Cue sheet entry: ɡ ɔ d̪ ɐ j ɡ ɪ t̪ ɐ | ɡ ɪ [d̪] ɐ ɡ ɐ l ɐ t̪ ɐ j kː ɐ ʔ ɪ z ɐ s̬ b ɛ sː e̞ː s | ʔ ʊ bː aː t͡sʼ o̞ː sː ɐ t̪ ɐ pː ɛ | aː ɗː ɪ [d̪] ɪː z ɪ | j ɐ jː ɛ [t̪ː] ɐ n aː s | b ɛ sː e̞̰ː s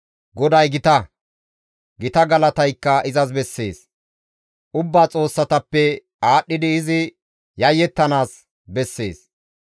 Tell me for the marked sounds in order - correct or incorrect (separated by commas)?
incorrect, correct, correct